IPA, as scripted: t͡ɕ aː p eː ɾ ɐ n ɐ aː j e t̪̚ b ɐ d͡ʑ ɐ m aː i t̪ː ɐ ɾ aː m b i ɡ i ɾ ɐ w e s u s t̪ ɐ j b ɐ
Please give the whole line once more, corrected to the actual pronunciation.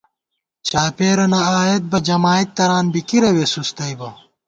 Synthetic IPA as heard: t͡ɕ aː p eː ɾ ɐ n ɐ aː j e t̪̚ b ɐ d͡ʑ ɐ m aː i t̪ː ɐ ɾ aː n b i k i ɾ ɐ w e s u s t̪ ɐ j b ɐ